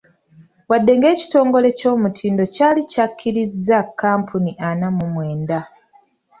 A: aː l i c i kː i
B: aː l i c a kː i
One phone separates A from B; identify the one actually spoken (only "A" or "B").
B